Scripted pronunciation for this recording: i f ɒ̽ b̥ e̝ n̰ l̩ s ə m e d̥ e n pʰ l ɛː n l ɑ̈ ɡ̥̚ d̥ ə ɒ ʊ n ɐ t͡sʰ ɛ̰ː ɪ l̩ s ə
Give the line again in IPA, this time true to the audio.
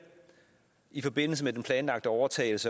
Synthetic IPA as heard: i f ɒ̽ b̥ e̝ n̰ l̩ s ə m e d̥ e n pʰ l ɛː n l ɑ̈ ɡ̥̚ d̥ ə ɒ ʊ ɐ t͡sʰ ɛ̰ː ɪ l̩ s ə